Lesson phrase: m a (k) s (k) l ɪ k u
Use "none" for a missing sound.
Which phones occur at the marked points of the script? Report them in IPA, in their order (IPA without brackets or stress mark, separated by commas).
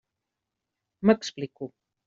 k, p